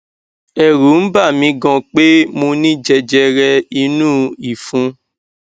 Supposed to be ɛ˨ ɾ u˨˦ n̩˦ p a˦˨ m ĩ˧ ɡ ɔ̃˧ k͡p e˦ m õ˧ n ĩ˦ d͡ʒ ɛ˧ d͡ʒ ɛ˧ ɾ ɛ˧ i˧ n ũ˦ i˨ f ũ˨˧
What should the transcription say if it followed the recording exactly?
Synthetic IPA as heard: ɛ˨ ɾ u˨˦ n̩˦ b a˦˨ m ĩ˧ ɡ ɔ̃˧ k͡p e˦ m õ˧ n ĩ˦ d͡ʒ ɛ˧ d͡ʒ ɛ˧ ɾ ɛ˧ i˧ n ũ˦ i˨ f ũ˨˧